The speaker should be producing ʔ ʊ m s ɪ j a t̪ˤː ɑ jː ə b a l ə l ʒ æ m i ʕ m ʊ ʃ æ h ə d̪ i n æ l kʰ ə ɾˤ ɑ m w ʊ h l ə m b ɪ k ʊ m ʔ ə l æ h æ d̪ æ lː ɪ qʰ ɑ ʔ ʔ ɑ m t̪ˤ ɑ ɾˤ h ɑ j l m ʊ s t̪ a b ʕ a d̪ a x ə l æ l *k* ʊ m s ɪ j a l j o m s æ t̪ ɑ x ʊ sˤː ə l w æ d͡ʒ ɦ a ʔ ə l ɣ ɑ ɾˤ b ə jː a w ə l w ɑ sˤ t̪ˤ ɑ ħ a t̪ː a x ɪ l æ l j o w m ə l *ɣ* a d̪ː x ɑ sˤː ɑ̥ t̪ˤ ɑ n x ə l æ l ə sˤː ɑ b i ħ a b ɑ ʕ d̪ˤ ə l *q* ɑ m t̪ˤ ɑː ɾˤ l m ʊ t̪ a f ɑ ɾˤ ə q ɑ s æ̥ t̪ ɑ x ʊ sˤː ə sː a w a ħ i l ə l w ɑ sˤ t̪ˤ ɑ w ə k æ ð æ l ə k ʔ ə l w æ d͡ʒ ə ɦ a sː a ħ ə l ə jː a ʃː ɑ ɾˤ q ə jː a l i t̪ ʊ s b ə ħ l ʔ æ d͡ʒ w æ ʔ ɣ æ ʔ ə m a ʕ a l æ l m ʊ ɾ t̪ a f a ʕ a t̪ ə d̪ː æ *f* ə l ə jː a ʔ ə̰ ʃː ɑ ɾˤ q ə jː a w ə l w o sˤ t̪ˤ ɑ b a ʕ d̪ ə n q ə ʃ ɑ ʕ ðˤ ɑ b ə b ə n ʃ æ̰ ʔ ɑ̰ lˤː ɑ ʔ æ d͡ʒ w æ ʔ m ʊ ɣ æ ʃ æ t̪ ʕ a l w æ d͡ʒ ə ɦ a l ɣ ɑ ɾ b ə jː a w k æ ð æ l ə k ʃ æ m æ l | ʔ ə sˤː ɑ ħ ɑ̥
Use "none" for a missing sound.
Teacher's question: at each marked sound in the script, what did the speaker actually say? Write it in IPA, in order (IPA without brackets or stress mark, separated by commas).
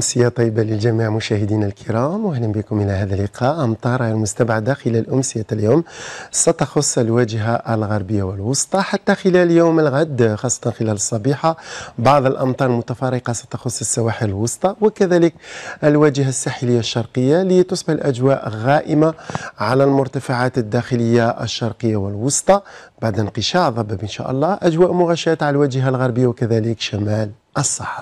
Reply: ʔ, ɣ, ʔ, x